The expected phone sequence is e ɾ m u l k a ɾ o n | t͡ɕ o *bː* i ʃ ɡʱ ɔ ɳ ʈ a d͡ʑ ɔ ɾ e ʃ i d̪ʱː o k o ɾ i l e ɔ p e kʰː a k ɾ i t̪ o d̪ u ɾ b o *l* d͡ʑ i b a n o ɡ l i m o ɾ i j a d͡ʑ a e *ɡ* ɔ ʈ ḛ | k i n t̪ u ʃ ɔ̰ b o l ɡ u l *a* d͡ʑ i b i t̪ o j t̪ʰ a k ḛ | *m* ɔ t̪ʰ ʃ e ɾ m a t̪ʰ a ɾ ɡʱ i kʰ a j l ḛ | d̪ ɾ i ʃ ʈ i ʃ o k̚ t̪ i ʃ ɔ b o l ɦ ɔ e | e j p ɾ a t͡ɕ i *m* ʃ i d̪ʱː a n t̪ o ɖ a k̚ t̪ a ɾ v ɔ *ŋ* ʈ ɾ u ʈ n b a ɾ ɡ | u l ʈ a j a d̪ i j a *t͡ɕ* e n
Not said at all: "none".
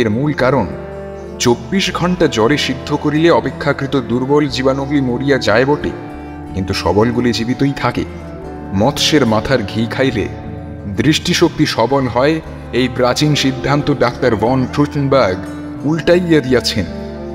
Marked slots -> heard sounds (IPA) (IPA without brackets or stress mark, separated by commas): bː, l, b, i, m, n, n, t͡ɕʰ